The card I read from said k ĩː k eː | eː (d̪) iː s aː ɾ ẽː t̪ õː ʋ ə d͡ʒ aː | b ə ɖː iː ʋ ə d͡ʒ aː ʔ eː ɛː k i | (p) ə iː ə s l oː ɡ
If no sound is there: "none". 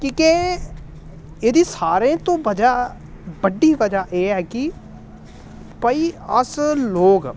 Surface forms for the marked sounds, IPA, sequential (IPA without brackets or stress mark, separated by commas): d̪, p